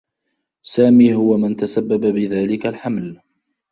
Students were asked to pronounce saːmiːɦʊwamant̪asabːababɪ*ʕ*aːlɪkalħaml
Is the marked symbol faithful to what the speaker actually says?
no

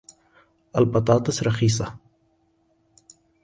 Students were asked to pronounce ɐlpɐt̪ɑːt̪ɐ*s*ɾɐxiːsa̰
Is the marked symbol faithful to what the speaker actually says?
yes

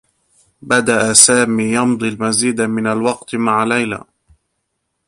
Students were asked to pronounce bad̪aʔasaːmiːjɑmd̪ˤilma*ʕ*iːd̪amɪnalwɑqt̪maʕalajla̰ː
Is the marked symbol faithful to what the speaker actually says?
no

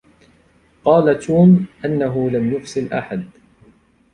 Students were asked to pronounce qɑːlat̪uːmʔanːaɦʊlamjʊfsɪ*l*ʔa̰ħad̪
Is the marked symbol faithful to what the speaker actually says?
yes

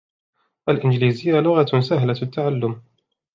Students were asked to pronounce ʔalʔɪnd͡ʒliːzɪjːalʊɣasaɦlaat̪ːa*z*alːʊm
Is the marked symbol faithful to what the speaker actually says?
no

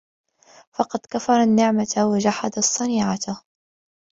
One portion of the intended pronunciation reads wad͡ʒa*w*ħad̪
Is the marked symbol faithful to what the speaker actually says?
no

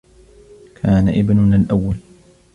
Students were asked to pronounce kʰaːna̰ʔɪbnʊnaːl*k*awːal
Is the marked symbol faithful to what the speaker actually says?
no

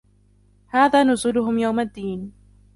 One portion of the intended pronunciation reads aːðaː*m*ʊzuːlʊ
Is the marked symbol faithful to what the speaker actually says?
no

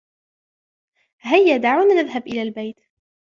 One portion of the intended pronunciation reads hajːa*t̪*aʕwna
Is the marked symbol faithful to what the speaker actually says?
no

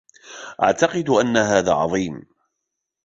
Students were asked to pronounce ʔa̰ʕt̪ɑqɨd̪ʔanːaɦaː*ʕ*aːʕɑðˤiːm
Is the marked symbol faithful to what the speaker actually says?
no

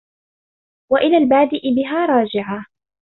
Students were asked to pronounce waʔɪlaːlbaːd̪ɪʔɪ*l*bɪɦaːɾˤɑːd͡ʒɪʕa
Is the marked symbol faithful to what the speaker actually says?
no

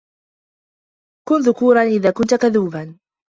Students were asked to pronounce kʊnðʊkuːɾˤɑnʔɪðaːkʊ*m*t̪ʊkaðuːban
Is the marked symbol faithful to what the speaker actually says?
no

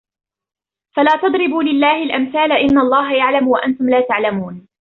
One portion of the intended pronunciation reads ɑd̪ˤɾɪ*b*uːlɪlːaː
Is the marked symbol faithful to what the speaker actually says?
yes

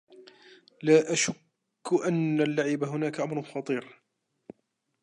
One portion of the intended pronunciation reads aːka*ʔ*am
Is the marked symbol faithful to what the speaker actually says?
yes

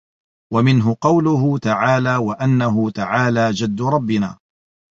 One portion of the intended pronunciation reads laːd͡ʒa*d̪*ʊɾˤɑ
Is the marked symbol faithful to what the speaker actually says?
no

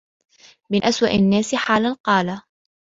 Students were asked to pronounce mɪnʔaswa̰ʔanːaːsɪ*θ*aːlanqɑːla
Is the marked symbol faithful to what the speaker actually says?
no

